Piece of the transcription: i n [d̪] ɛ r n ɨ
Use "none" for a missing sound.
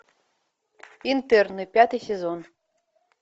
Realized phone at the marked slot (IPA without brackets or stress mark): t̪